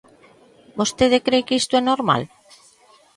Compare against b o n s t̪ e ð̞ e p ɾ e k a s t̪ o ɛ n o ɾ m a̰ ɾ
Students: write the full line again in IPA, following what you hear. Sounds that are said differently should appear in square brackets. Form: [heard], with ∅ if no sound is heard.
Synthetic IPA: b o [∅] s t̪ e ð̞ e [k] ɾ e k [i] s t̪ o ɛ n o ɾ m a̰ [l]